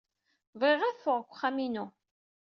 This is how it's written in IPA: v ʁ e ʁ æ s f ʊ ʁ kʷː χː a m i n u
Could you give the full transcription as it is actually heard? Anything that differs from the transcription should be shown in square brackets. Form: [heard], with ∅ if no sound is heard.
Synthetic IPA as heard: v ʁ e ʁ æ [θ] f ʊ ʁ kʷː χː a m i n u